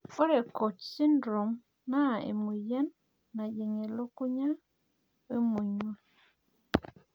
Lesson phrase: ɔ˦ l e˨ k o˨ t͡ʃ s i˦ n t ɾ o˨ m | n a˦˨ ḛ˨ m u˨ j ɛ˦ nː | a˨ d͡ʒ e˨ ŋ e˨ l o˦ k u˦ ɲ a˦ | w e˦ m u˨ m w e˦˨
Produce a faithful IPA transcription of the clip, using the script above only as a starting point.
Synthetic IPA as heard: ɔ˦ ɾ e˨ k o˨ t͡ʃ s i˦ n d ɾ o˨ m | n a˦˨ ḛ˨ m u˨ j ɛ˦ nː | a˨ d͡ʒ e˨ ŋ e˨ l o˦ k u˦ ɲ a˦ | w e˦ m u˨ ɲ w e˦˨